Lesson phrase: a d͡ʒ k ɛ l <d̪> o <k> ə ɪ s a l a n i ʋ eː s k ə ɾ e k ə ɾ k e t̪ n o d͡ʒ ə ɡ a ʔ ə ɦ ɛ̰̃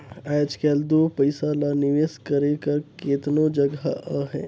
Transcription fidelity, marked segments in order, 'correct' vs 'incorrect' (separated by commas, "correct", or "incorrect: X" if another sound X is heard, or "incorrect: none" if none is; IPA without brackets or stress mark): correct, incorrect: p